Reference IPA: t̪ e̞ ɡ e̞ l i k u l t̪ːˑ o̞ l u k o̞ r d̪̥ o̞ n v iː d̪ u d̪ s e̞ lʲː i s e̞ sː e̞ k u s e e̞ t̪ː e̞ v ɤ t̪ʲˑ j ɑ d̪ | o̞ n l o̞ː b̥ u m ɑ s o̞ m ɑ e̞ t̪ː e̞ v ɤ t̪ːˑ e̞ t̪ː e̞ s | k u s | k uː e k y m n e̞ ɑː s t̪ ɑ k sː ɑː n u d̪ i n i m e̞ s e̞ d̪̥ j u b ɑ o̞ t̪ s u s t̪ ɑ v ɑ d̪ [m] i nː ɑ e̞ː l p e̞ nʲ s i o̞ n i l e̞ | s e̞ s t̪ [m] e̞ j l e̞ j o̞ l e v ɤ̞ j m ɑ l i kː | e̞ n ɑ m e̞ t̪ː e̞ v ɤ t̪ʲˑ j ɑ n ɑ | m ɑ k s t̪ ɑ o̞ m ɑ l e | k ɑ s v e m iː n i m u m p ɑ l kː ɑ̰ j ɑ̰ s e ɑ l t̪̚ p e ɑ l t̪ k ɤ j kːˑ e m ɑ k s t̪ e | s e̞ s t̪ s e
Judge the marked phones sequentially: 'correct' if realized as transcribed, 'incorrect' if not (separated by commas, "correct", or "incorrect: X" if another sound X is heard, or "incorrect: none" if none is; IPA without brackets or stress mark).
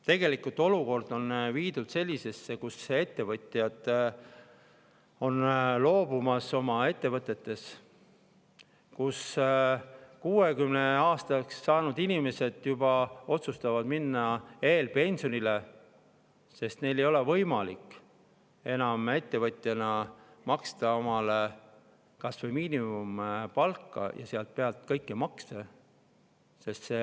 correct, incorrect: n